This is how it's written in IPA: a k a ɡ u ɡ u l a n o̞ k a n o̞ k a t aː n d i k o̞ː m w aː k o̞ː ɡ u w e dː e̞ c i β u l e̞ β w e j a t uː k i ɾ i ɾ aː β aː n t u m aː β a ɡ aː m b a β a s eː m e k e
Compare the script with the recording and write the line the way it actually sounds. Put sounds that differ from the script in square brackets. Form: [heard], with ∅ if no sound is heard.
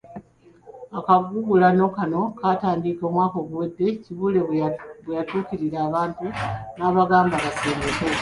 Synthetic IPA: a k a ɡ u ɡ u l a n o̞ k a n o̞ k a t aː n d i k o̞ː m w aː k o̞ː ɡ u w e dː e̞ c i β u l e̞ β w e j a t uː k i ɾ i ɾ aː β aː n t u [n] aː β a ɡ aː m b a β a s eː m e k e